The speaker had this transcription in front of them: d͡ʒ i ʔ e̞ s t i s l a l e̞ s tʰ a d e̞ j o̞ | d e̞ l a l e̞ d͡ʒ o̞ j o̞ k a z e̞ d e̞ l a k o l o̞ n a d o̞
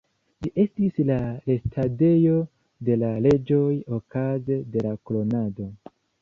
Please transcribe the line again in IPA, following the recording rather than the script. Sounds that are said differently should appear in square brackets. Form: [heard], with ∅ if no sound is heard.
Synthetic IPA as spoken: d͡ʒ i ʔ e̞ s t i s l a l e̞ s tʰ a d e̞ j o̞ | d e̞ l a l e̞ d͡ʒ o̞ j o̞ k a z e̞ d e̞ l a k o l o̞ n a d o̞

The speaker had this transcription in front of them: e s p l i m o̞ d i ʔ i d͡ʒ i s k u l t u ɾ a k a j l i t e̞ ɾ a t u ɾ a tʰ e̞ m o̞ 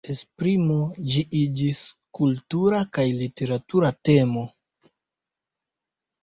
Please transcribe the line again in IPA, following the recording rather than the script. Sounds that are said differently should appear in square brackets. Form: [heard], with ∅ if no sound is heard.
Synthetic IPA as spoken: e s p [ɾ] i m o̞ [d͡ʒ] i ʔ i d͡ʒ i s k u l t u ɾ a k a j l i t e̞ ɾ a t u ɾ a [t] e̞ m o̞

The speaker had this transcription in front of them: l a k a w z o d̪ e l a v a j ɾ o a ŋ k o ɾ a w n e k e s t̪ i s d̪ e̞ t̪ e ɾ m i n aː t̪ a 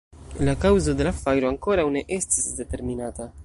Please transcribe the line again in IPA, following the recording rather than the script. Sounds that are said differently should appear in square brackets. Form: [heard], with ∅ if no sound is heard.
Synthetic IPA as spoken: l a k a w z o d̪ e l a [f] a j ɾ o a ŋ k o ɾ a w n e [ʔ] e s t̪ i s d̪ e̞ t̪ e ɾ m i n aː t̪ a

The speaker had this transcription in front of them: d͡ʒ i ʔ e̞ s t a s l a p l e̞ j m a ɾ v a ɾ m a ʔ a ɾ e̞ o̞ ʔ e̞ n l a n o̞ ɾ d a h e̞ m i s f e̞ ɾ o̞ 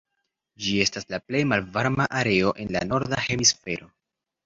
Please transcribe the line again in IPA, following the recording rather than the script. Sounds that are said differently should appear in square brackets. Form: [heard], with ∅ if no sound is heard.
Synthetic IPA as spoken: d͡ʒ i [∅] e̞ s t a s l a p l e̞ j m a [l] v a ɾ m a ʔ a ɾ e̞ o̞ ʔ e̞ n l a n o̞ ɾ d a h e̞ m i s f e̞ ɾ o̞

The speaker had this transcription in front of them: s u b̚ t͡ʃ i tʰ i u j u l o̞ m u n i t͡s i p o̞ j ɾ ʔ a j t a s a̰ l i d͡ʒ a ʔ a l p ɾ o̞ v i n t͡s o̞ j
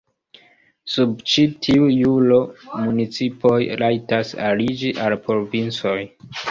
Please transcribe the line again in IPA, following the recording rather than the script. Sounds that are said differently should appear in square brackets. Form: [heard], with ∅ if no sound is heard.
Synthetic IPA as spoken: s u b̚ t͡ʃ i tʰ i u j u l o̞ m u n i t͡s i p o̞ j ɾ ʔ a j t a s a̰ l i d͡ʒ [i] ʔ a l p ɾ o̞ v i n t͡s o̞ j

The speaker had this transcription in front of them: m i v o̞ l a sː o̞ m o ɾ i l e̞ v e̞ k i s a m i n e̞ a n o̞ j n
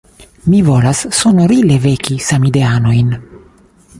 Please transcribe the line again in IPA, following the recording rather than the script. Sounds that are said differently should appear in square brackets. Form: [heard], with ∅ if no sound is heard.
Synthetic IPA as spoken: m i v o̞ l a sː o̞ [n] o ɾ i l e̞ v e̞ k i s a m i [d] e̞ a n o̞ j n

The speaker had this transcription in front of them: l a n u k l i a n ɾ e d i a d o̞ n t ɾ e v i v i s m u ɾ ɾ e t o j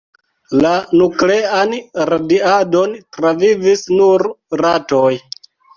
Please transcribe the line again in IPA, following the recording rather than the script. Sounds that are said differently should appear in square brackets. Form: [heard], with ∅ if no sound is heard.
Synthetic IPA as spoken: l a n u k l [e] a n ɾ [a] d i a d o̞ n t ɾ [a] v i v i s [n] u ɾ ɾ [a] t o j

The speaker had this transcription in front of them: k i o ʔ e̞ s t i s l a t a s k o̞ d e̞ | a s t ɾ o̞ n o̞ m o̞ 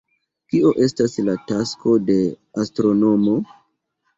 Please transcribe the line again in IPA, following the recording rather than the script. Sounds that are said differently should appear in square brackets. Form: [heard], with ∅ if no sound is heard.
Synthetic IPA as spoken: k i o ʔ e̞ s t [a] s l a t a s k o̞ d e̞ | a s t ɾ o̞ n o̞ m o̞

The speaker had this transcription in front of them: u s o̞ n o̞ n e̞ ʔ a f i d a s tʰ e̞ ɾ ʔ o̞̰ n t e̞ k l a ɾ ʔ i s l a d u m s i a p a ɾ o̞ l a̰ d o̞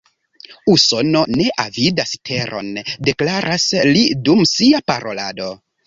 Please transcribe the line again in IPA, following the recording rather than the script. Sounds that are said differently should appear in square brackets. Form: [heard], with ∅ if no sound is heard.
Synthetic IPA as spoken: u s o̞ n o̞ n e̞ ʔ a [v] i d a s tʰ e̞ ɾ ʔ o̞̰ n [d] e̞ k l a ɾ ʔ [a] s l [i] d u m s i a p a ɾ o̞ l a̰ d o̞

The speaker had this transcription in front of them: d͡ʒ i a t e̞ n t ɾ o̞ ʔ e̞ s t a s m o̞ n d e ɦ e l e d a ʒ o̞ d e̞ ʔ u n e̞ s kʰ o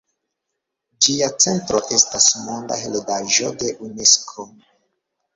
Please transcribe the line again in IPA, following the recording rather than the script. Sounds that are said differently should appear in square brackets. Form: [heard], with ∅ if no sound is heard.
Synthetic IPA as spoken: d͡ʒ i a [t͡s] e̞ n t ɾ o̞ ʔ e̞ s t a s m o̞ n d [a] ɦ e l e d a ʒ o̞ d e̞ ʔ u n e̞ s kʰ o

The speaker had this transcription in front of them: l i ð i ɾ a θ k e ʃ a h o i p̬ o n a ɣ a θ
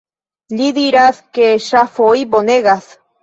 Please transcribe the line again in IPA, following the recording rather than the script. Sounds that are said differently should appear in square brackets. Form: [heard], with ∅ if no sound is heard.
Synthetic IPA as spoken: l i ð i ɾ a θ k e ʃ a [f] o i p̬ o n [e] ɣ a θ

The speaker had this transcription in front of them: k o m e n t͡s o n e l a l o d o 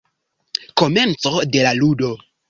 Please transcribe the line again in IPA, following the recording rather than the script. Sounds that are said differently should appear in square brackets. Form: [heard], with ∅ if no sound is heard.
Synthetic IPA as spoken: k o m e n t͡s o [d] e l a l [u] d o

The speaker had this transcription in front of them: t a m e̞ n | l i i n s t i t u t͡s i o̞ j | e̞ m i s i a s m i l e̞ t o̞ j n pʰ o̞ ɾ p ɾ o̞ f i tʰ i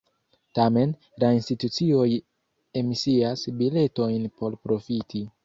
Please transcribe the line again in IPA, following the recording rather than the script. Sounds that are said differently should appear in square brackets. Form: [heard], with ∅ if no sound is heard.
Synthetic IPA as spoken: t a m e̞ n | l [a] i n s t i t u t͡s i o̞ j | e̞ m i s i a s [b] i l e̞ t o̞ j n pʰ o̞ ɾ p ɾ o̞ f i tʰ i

